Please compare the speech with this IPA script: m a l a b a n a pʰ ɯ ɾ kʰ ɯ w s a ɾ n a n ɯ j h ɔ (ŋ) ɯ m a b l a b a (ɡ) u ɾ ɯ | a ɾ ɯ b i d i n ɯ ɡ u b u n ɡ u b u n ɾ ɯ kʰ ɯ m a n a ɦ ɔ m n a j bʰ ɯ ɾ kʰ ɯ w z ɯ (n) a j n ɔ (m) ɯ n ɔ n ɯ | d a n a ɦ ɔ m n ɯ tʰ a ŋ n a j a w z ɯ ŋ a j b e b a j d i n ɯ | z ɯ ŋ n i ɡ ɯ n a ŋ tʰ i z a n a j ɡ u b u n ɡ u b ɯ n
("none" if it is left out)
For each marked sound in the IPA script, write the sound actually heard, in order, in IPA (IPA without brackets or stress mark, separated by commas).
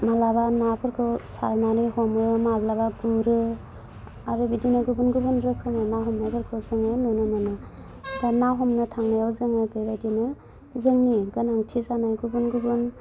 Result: m, ɡ, ŋ, n